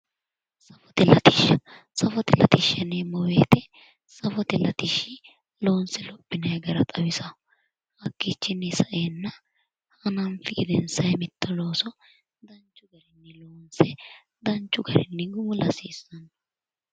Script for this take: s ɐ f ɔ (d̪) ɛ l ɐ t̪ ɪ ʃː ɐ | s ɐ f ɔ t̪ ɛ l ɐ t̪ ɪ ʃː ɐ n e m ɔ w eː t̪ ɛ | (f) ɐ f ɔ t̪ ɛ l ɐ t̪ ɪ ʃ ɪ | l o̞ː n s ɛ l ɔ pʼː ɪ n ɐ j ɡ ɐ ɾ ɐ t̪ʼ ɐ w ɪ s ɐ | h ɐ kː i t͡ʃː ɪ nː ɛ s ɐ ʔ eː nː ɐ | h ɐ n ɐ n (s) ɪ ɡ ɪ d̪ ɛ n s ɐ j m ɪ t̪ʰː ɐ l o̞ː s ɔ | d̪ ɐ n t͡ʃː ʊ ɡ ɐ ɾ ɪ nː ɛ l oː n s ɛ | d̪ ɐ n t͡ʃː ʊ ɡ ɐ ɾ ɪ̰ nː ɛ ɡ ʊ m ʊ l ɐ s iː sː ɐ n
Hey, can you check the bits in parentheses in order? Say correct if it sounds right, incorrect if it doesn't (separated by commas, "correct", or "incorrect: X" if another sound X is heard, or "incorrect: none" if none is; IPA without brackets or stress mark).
incorrect: t̪, incorrect: s, incorrect: f